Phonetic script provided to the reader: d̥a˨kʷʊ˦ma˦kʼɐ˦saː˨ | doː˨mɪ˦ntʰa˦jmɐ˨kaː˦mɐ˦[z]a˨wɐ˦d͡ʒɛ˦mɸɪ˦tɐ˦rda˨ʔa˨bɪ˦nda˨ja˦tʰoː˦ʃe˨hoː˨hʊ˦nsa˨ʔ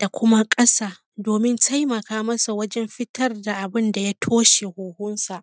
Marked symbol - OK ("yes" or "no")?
no